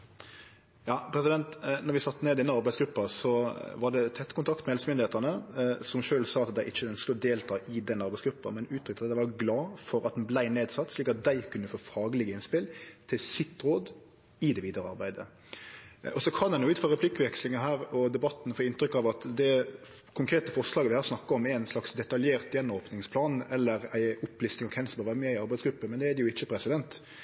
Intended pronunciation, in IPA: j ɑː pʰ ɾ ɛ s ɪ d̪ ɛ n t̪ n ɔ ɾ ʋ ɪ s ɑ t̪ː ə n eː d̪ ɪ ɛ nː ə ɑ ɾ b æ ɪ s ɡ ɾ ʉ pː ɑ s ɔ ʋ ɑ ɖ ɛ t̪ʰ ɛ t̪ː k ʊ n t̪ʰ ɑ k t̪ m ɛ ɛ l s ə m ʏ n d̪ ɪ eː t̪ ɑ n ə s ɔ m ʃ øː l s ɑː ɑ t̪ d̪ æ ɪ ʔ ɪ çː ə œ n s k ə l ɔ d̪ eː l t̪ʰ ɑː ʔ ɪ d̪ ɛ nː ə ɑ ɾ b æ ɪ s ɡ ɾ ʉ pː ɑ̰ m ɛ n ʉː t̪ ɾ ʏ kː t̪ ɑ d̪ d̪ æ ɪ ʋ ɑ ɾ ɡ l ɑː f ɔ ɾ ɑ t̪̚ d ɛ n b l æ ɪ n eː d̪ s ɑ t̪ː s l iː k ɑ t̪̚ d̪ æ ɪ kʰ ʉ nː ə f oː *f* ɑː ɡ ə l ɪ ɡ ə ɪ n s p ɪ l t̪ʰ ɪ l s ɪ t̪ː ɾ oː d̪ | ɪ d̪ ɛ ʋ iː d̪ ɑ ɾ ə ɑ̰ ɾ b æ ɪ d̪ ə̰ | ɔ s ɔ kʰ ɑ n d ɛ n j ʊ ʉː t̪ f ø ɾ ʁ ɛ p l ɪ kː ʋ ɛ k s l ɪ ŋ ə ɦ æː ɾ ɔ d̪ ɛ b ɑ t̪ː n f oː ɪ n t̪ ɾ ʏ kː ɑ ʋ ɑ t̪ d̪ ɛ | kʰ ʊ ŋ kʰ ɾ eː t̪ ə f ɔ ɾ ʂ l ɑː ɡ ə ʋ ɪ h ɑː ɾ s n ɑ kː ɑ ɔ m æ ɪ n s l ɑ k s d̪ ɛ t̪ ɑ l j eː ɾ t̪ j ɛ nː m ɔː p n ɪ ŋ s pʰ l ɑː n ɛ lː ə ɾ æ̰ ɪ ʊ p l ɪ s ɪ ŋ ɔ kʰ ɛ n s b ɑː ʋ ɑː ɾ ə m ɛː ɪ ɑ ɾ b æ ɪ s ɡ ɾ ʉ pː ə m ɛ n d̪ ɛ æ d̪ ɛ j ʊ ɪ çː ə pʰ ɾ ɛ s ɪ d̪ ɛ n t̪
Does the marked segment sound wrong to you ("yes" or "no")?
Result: no